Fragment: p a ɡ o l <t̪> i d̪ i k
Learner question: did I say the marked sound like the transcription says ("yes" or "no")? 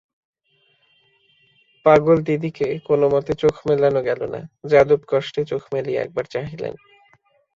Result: no